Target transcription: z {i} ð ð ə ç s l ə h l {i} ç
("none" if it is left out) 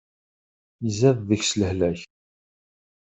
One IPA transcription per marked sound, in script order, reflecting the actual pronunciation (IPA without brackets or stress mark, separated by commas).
æ, æ